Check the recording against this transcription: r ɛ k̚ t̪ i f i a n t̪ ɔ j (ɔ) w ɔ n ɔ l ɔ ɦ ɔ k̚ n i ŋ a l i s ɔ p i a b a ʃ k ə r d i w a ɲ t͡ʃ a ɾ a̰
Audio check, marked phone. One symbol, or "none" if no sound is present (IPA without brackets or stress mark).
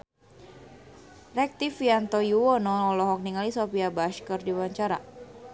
u